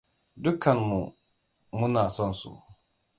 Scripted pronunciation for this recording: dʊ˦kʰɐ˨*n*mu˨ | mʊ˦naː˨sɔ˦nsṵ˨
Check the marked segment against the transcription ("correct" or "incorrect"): correct